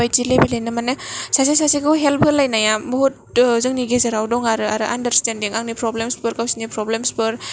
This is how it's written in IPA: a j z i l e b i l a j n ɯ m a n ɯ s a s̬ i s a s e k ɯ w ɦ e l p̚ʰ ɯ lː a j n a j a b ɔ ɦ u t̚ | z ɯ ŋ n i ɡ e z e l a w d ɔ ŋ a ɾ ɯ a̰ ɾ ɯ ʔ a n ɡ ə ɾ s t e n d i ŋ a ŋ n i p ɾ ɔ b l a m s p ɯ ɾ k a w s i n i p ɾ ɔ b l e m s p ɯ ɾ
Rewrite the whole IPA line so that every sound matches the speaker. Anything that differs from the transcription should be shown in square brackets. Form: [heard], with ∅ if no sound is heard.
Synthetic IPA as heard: a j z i l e b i l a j n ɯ m a n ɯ s a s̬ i s a s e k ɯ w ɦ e l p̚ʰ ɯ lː a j n a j a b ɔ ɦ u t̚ | z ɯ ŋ n i ɡ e z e [ɾ] a w d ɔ ŋ a ɾ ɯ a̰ ɾ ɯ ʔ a n [d] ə ɾ s t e n d i ŋ a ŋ n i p ɾ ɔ b l [e] m s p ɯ ɾ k a w s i n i p ɾ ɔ b l e m s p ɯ ɾ